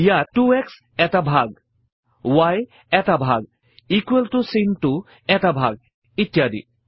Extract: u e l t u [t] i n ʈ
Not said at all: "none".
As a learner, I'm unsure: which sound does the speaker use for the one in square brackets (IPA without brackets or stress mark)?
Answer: s